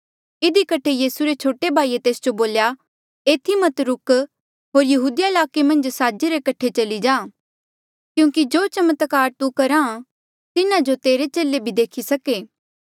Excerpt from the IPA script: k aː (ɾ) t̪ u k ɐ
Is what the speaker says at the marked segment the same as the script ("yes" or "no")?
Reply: yes